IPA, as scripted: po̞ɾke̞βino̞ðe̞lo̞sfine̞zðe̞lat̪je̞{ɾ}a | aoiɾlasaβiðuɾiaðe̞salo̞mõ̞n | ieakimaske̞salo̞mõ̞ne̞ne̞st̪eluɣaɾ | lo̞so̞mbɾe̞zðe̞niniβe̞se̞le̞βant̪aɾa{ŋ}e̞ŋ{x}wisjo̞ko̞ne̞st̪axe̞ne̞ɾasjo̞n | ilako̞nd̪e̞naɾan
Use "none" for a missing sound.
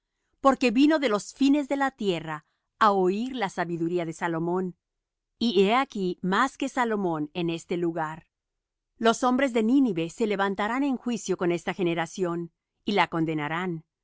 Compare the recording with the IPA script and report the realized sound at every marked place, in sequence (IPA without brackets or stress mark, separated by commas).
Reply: r, n, x